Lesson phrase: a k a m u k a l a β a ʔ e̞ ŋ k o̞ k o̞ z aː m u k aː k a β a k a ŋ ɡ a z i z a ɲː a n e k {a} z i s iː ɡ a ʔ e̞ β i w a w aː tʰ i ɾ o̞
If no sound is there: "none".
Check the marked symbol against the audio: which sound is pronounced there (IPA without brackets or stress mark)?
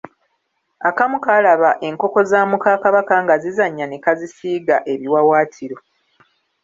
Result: a